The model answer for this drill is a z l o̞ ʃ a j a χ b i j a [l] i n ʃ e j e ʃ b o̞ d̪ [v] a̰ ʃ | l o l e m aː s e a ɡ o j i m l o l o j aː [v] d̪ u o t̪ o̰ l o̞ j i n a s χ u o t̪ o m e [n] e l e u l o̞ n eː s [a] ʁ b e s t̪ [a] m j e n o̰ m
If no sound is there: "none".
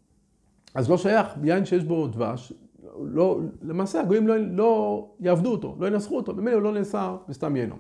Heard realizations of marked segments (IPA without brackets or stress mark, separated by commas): none, v, v, m, a, a